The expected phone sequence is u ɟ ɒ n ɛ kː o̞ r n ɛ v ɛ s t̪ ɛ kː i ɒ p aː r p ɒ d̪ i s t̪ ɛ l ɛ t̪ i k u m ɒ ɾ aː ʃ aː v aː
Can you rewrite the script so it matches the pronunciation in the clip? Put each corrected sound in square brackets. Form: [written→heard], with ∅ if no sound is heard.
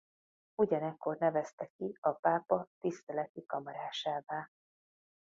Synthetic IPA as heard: u ɟ ɒ n ɛ kː o̞ r n ɛ v ɛ s t̪ ɛ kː i ɒ p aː [r→∅] p ɒ [d̪→t̪] i s t̪ ɛ l ɛ t̪ i k [u→ɒ] m ɒ ɾ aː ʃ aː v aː

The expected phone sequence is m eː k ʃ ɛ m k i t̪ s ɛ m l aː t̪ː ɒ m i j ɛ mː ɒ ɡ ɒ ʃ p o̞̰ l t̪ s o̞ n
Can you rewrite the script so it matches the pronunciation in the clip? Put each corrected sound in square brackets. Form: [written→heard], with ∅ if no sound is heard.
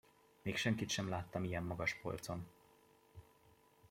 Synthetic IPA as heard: m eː k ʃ ɛ [m→ŋ] k i t̪ [s→ʃ] ɛ m l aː t̪ː ɒ m i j ɛ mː ɒ ɡ ɒ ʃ p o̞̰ l t̪ s o̞ n

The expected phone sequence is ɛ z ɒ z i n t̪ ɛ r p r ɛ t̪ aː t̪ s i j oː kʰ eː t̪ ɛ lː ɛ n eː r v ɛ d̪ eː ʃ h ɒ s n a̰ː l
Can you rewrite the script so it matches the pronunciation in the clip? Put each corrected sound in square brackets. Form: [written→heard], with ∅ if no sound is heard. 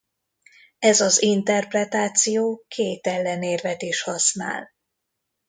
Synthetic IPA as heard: ɛ z ɒ z i n t̪ ɛ r p r ɛ t̪ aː t̪ s i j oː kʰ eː t̪ ɛ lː ɛ n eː r v ɛ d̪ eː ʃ h ɒ s n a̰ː l

